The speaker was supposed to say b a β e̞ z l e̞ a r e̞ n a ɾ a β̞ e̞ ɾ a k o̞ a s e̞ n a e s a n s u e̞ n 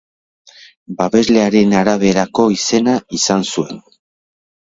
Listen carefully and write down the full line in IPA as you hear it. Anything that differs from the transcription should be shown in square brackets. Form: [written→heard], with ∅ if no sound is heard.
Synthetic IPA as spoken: b a β e̞ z l e̞ a [r→ɾ] e̞ n a ɾ a β̞ e̞ ɾ a k o̞ [a→i] s e̞ n a [e→i] s a n s u e̞ n